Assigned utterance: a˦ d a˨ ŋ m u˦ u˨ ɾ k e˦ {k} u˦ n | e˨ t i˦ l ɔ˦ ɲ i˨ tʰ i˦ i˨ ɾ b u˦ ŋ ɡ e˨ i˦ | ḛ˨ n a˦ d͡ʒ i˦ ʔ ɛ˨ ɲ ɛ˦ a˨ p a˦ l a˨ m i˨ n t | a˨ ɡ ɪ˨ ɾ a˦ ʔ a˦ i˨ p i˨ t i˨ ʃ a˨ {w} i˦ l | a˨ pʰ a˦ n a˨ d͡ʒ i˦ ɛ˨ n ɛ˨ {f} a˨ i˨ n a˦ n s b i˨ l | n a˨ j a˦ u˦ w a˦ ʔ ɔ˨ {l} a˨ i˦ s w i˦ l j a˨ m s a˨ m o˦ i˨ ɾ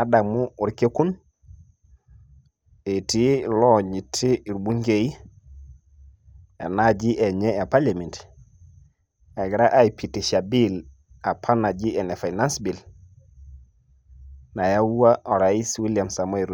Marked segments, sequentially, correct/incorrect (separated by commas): correct, incorrect, correct, incorrect